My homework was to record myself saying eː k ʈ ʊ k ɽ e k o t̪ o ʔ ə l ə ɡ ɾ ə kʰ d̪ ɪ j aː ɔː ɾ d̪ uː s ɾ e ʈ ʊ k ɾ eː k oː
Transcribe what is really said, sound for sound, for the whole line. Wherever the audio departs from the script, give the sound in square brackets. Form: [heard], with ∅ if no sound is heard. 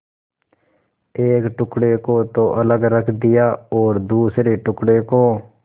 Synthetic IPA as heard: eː k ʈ ʊ k ɽ e k o t̪ o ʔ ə l ə ɡ ɾ ə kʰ d̪ ɪ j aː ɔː ɾ d̪ uː s ɾ e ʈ ʊ k [ɽ] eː k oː